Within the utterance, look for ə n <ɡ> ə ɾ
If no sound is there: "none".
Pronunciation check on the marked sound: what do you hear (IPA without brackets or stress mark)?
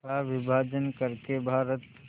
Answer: k